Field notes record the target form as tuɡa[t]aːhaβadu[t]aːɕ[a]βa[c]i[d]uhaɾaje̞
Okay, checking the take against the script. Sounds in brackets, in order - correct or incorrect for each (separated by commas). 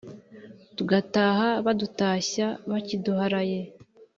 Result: correct, correct, correct, correct, correct